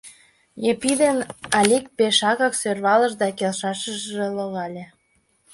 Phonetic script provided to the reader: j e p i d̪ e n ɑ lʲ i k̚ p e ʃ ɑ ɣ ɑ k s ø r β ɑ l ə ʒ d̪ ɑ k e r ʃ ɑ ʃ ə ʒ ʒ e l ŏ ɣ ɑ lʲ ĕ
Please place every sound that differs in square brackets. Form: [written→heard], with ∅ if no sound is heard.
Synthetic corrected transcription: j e p i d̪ e n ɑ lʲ i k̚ p e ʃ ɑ ɣ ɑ k s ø r β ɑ l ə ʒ d̪ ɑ k e [r→l] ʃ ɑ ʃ ə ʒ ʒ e l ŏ ɣ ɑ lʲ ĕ